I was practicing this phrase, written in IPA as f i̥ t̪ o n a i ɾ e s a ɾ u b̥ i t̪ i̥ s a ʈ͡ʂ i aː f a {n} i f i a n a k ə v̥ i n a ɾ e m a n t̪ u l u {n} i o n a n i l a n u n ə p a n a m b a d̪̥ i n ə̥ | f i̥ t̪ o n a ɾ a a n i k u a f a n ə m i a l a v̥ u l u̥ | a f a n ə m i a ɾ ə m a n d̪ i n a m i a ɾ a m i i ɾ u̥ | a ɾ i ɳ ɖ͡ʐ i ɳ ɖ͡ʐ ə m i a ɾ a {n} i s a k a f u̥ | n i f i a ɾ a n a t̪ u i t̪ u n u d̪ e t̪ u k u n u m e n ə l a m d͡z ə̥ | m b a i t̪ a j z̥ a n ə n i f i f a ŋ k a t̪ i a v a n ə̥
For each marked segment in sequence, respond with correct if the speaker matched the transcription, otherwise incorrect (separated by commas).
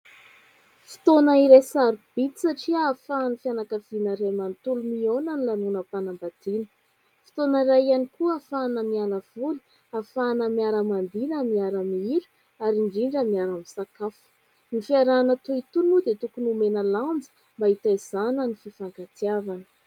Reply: correct, incorrect, incorrect